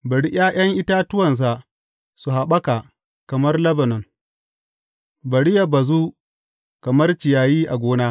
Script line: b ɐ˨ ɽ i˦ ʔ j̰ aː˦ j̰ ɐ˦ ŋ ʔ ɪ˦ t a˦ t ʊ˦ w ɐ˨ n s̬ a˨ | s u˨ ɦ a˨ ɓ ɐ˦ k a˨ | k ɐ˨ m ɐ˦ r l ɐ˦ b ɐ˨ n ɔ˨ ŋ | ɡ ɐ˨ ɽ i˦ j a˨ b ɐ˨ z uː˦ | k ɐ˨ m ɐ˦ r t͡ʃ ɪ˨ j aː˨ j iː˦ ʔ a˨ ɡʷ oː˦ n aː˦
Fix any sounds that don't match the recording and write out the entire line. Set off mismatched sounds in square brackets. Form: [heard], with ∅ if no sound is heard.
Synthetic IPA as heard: b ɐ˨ ɽ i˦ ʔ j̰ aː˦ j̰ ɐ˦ ŋ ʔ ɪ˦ t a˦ t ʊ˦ w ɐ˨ n s̬ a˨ | s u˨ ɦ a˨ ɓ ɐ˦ k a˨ | k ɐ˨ m ɐ˦ r l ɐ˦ b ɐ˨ n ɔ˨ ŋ | [b] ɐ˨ ɽ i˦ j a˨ b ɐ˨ z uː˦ | k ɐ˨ m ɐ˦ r t͡ʃ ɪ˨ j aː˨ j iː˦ ʔ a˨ ɡʷ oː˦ n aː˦